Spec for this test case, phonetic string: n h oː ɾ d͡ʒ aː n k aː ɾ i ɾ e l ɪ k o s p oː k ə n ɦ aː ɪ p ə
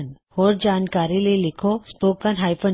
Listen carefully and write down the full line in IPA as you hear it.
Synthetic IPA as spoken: n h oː ɾ d͡ʒ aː n k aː ɾ i l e l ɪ kʰ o s p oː k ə n ɦ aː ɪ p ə